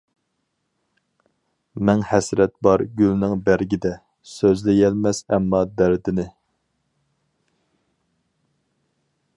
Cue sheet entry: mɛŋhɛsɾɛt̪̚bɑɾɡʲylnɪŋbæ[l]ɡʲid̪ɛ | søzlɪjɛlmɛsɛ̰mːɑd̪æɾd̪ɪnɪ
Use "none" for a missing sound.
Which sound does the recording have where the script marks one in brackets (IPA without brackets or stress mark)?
ɾ